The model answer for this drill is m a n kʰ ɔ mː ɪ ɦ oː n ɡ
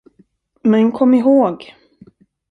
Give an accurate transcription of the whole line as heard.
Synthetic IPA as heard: m ɛ n kʰ ɔ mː ɪ ɦ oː ɡ

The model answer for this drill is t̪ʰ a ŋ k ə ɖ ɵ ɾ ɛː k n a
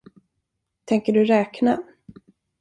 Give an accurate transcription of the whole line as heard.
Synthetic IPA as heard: t̪ʰ ɛ ŋ k ə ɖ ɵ ɾ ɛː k n a

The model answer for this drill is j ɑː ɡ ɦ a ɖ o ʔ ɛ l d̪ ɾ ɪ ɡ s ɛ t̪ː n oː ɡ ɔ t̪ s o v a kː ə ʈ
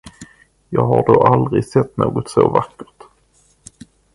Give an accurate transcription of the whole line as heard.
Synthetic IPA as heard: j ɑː ɡ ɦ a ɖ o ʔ a l d̪ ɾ ɪ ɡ s ɛ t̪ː n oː ɡ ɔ t̪ s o v a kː ə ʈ

